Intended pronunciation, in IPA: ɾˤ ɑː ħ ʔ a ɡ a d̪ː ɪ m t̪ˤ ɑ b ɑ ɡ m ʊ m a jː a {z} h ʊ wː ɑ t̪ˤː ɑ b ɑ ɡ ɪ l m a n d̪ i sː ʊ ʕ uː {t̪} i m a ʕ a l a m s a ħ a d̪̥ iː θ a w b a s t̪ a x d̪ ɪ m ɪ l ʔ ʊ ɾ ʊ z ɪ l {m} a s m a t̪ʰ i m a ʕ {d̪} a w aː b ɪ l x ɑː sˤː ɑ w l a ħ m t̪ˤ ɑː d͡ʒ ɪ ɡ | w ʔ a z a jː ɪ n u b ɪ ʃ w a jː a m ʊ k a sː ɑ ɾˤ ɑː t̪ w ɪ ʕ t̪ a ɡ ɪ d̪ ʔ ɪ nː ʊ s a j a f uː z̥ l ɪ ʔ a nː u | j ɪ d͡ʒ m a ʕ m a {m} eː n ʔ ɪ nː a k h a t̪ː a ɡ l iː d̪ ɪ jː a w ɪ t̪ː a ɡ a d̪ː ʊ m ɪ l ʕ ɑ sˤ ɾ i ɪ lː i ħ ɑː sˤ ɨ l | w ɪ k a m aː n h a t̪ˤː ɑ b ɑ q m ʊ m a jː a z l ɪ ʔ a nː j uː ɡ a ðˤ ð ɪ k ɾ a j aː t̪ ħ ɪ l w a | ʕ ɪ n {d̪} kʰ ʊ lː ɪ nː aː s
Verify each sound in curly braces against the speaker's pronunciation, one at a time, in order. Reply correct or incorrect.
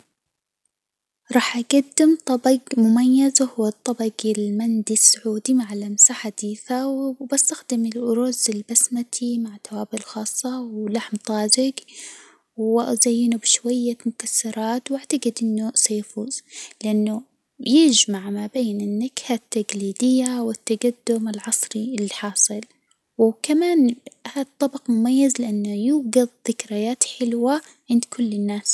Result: correct, incorrect: d̪, incorrect: b, incorrect: t̪, incorrect: b, correct

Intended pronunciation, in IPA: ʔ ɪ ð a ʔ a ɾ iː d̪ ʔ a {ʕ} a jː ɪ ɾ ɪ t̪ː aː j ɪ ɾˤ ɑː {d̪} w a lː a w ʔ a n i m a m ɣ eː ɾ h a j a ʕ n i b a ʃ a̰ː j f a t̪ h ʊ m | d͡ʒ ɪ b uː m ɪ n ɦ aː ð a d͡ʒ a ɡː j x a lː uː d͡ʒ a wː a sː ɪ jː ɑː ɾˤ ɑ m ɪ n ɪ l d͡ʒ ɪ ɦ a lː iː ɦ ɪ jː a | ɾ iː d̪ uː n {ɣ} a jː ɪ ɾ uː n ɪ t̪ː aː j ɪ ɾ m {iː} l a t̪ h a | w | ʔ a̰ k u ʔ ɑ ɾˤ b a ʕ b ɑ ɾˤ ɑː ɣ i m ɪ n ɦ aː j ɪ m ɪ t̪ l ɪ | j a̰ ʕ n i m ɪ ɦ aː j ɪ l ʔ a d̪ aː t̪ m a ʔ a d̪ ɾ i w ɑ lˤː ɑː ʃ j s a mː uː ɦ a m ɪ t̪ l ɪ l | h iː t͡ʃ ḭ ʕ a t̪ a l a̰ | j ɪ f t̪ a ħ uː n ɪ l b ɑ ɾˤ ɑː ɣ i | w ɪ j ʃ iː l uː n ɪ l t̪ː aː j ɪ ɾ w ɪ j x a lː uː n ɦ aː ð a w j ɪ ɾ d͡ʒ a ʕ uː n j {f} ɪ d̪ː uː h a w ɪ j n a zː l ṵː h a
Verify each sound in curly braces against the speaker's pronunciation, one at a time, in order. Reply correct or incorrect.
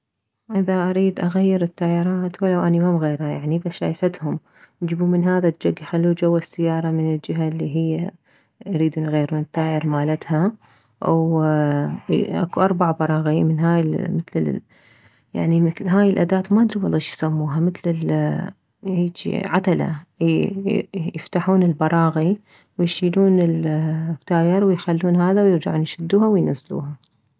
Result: incorrect: ɣ, incorrect: t̪, correct, incorrect: aː, incorrect: ʃ

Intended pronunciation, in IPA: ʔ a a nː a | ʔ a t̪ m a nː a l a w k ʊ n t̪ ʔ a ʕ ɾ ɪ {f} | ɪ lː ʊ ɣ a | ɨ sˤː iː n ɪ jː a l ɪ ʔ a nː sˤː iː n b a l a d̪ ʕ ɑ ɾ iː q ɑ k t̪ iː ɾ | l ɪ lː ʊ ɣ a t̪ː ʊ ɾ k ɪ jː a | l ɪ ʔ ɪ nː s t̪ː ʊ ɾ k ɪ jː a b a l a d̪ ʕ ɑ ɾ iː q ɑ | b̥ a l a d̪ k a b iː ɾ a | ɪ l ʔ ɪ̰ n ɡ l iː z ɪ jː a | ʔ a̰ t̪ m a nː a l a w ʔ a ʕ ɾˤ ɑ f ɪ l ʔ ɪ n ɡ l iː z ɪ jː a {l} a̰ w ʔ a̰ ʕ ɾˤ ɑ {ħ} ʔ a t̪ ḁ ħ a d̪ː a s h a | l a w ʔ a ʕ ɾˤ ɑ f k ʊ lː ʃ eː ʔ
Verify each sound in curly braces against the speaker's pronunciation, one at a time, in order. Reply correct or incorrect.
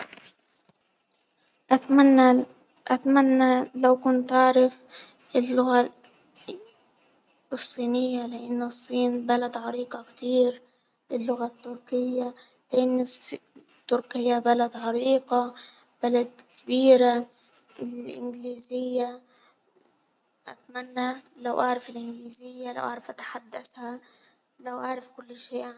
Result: correct, correct, incorrect: f

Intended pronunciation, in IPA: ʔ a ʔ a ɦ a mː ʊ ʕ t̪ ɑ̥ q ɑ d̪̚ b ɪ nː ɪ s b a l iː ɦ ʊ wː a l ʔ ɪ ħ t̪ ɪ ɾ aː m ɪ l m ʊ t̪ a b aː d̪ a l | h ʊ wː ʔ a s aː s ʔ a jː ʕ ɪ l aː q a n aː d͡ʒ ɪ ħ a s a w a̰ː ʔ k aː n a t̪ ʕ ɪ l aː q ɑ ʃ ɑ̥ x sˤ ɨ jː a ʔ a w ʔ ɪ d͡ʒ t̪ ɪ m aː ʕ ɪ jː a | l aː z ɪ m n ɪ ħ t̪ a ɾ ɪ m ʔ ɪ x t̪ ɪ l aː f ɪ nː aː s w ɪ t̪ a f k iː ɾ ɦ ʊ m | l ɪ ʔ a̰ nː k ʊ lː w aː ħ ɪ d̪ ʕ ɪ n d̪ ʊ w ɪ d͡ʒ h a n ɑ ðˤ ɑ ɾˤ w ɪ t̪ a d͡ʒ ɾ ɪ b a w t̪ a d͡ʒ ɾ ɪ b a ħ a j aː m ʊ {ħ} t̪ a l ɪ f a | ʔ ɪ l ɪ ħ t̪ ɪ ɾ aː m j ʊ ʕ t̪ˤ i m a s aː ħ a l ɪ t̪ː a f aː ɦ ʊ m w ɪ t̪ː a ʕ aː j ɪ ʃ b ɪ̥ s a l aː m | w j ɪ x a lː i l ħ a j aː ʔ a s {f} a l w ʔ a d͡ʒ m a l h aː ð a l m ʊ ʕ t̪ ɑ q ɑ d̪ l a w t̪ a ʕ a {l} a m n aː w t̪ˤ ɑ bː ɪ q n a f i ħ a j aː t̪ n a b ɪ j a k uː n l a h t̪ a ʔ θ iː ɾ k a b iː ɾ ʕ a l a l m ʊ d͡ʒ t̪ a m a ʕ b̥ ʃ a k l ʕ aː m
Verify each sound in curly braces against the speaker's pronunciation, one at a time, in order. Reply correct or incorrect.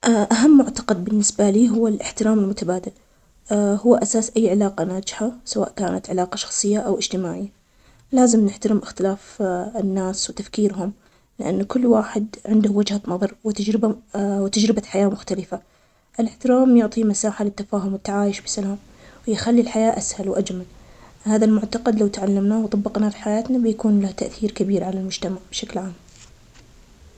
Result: incorrect: x, incorrect: h, incorrect: lː

